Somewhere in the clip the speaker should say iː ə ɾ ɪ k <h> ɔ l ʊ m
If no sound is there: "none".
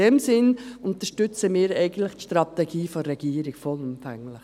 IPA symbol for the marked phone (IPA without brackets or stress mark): f